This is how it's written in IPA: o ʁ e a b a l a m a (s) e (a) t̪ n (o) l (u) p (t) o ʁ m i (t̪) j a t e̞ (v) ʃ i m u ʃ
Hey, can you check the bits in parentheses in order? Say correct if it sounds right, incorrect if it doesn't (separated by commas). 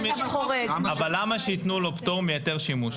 incorrect, incorrect, incorrect, incorrect, correct, incorrect, incorrect